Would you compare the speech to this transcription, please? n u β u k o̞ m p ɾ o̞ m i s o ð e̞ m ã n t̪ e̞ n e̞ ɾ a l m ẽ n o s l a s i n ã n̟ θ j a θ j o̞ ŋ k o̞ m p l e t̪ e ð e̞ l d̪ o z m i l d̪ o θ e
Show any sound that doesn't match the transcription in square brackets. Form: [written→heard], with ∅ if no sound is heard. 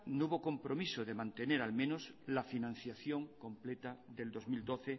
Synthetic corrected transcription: n u β [u→o] k o̞ m p ɾ o̞ m i s o ð e̞ m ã n t̪ e̞ n e̞ ɾ a l m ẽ n o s l a [s→f] i n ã n̟ θ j a θ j o̞ ŋ k o̞ m p l e t̪ [e→a] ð e̞ l d̪ o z m i l d̪ o θ e